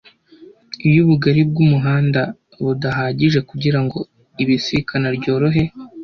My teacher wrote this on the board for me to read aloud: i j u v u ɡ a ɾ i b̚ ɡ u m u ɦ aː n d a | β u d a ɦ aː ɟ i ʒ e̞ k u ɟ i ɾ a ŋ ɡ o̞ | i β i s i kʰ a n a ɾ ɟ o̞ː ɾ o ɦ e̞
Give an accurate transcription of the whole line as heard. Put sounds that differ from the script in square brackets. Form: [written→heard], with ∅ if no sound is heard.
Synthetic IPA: i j u [v→β] u ɡ a ɾ i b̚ ɡ u m u ɦ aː n d a | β u d a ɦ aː ɟ i ʒ e̞ k u ɟ i ɾ a ŋ ɡ o̞ | i β i s i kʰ a n a ɾ ɟ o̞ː ɾ o ɦ e̞